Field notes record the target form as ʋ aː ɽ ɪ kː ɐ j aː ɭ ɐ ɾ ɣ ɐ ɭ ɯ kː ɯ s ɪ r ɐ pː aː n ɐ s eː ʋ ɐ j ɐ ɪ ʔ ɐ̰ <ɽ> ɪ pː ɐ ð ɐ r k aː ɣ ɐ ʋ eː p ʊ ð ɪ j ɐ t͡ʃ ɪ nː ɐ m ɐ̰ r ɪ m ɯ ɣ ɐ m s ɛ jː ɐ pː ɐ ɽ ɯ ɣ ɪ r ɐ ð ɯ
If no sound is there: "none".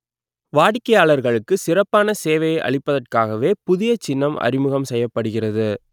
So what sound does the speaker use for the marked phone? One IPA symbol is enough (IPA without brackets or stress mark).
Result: ɭ